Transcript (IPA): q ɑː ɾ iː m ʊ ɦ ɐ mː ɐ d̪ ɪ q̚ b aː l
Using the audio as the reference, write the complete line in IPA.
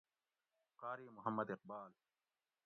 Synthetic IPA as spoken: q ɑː ɾ iː m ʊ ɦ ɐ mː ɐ d̪ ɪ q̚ b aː l